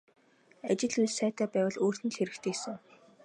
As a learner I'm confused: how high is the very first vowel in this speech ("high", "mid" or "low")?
low